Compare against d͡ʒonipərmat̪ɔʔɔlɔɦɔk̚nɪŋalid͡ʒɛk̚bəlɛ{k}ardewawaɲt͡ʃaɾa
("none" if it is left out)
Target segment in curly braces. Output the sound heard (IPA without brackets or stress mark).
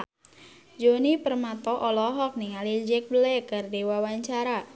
k